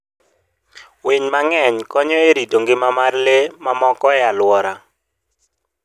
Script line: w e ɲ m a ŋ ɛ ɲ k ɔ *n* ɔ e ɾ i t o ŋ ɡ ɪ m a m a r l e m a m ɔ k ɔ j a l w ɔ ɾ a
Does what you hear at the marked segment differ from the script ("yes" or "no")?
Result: yes